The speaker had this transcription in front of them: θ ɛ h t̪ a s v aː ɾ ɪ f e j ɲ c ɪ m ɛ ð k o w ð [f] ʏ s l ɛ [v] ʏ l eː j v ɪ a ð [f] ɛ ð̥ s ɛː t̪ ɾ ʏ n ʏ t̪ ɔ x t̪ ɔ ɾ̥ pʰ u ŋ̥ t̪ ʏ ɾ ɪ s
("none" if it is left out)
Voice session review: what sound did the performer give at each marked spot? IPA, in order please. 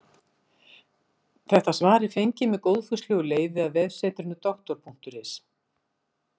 f, ɣ, v

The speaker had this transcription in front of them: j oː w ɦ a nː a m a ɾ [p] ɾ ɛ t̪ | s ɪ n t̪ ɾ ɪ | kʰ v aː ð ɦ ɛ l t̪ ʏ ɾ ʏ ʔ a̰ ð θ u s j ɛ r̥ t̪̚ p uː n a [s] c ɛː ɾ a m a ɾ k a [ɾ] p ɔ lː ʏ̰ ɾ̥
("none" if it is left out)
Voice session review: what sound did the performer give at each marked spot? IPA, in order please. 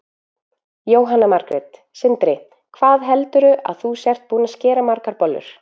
k, s, ɾ

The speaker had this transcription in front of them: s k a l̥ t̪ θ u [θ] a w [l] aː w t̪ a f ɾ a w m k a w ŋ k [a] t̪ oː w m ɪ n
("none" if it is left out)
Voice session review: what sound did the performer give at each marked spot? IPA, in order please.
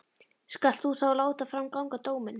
θ, l, a

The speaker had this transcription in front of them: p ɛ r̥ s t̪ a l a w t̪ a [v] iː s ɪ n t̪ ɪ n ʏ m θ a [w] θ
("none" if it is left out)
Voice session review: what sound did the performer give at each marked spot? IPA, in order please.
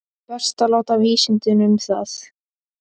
v, none

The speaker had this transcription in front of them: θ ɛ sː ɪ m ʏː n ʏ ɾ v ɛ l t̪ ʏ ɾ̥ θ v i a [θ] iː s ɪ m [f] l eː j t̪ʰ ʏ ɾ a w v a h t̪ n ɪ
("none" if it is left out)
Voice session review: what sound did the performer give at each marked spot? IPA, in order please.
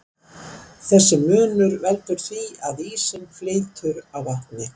ð, f

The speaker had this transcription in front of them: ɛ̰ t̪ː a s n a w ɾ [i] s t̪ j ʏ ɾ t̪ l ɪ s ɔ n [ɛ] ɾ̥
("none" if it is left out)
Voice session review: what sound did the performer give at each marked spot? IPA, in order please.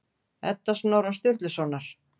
a, a

